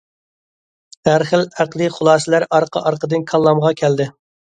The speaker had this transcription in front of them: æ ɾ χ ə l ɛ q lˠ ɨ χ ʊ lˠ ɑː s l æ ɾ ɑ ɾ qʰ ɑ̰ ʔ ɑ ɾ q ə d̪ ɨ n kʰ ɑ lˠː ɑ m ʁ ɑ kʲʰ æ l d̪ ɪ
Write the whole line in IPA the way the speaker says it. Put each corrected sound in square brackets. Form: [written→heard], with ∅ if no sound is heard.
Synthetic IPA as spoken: æ ɾ χ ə l [ɛ→æ] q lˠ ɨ χ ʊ lˠ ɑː s l æ ɾ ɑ ɾ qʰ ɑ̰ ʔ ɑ ɾ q ə d̪ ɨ n kʰ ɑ lˠː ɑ m ʁ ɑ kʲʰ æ l d̪ ɪ